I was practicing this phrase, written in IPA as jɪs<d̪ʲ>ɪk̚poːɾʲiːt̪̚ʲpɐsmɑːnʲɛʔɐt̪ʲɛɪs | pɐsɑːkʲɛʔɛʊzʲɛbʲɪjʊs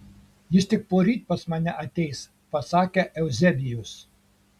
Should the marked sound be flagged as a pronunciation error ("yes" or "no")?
yes